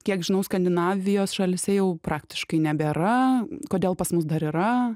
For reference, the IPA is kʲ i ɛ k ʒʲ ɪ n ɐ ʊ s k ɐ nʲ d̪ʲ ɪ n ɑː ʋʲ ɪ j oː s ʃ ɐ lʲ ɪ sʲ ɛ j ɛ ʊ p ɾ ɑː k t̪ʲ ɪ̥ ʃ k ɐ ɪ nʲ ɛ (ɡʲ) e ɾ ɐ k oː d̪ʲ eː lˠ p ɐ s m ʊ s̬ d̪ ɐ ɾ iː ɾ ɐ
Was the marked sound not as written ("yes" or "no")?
yes